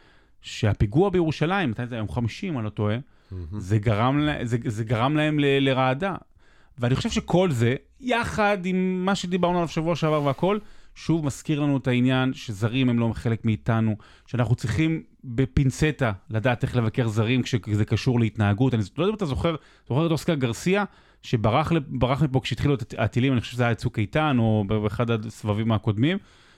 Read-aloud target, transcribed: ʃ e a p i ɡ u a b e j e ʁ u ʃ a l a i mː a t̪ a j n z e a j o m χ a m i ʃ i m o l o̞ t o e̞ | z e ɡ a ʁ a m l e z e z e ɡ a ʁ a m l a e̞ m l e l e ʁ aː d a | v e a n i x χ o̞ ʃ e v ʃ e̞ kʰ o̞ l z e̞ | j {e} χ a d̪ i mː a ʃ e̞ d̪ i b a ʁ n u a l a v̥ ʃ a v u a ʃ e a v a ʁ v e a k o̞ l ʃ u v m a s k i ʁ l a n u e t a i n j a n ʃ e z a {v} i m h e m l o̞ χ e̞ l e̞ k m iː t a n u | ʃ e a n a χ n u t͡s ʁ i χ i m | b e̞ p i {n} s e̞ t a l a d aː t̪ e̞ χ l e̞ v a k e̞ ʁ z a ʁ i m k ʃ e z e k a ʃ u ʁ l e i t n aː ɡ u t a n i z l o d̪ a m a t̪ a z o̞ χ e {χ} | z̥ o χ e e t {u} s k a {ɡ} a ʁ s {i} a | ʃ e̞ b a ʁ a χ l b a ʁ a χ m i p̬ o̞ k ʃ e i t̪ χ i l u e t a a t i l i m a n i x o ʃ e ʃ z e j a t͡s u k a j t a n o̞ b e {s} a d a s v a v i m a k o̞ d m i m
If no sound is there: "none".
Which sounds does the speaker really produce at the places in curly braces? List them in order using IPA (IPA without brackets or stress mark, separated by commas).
a, ʁ, n, ʁ, o, ɡ, i, χ